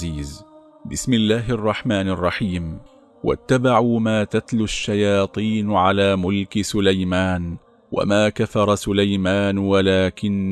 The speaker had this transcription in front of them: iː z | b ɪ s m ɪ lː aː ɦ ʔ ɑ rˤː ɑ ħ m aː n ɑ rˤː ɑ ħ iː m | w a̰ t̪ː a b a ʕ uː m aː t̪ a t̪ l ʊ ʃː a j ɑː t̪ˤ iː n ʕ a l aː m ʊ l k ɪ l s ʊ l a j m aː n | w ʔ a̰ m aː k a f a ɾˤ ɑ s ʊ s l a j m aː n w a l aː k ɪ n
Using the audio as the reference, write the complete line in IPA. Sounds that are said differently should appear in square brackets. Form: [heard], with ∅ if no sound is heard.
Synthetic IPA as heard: iː z | b ɪ s m ɪ lː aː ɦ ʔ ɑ rˤː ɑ ħ m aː n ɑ rˤː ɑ ħ iː m | w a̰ t̪ː a b a ʕ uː m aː t̪ a t̪ l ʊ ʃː a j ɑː t̪ˤ iː n ʕ a l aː m ʊ l k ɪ [∅] s ʊ l a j m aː n | w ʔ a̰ m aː k a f [ɑ] ɾˤ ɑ s ʊ [∅] l a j m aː n w a l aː k ɪ n